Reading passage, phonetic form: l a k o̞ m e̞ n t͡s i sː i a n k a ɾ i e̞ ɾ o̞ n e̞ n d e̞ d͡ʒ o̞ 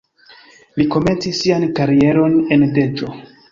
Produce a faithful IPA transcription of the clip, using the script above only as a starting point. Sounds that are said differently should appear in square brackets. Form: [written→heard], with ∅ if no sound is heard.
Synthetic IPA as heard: l [a→i] k o̞ m e̞ n t͡s i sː i a n k a ɾ i e̞ ɾ o̞ n e̞ n d e̞ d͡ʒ o̞